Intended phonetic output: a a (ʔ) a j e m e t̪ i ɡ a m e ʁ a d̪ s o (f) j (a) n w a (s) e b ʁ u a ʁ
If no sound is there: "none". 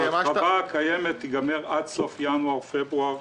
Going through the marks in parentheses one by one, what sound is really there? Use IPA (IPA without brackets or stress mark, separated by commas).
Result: k, f, a, f